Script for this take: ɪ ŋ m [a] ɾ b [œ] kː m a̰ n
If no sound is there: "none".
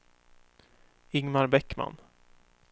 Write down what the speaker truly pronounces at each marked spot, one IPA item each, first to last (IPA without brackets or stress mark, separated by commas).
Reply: a, ɛ